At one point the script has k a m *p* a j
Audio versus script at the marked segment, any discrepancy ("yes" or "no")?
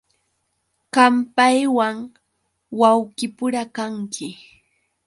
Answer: no